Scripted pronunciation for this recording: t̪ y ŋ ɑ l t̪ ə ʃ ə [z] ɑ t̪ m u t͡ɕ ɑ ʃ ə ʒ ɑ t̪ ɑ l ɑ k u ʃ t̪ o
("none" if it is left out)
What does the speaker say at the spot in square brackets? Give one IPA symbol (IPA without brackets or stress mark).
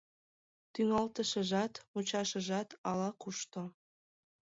ʒ